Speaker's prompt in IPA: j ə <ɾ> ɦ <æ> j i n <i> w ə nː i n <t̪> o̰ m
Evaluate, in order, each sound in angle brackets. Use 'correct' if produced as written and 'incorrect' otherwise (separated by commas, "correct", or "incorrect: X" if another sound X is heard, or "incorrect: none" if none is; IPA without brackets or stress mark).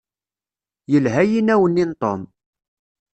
incorrect: l, correct, incorrect: æ, correct